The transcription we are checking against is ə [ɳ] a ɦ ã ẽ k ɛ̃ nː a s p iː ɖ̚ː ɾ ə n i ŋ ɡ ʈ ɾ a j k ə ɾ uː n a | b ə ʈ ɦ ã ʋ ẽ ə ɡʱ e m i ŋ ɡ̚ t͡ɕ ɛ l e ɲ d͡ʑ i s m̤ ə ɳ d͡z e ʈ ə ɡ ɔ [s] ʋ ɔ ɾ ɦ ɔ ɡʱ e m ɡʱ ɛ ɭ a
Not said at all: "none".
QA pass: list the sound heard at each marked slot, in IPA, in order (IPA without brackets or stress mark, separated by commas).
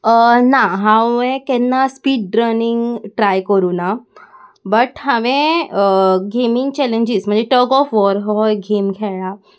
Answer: n, f